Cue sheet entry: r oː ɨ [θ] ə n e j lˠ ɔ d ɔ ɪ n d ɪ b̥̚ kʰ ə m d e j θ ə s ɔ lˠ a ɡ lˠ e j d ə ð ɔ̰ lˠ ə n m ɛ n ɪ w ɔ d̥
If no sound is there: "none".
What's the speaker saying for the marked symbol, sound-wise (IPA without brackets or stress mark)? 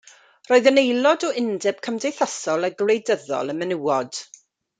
ð